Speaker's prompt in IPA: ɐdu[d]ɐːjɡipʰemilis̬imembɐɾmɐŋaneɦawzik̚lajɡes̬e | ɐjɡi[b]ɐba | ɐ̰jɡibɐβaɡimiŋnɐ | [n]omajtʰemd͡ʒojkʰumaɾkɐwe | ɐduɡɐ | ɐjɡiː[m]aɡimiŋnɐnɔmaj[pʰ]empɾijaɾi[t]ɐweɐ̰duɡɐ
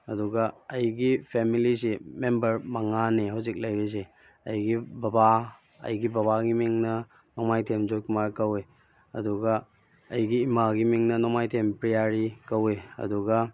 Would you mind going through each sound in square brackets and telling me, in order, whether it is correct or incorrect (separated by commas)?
incorrect, correct, correct, correct, incorrect, incorrect